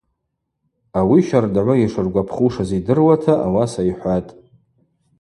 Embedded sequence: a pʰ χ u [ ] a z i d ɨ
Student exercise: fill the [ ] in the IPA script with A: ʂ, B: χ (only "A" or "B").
A